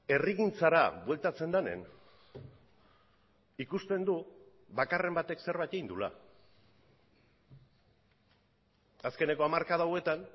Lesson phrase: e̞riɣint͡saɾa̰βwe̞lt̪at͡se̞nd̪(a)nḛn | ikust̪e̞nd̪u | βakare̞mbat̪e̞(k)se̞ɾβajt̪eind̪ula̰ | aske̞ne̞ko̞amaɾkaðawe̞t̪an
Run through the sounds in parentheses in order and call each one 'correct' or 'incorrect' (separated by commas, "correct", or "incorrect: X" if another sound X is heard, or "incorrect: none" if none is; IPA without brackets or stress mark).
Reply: correct, correct